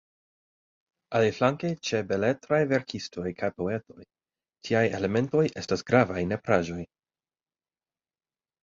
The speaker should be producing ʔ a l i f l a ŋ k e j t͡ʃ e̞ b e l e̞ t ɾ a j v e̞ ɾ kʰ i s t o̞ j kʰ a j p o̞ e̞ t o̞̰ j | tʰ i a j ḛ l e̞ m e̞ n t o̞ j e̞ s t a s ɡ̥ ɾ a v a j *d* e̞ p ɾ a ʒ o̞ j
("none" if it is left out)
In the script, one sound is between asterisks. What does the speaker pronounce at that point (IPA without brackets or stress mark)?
n